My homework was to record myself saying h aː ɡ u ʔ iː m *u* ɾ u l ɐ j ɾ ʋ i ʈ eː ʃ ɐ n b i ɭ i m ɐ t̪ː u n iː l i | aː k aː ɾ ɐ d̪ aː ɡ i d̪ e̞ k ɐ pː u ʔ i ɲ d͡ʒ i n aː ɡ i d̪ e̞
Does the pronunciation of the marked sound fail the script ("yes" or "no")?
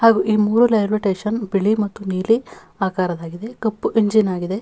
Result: yes